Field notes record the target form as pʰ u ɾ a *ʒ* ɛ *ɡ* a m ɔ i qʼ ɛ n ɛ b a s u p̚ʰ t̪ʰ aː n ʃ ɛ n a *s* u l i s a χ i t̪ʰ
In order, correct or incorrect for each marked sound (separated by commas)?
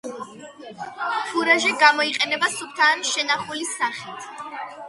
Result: correct, correct, incorrect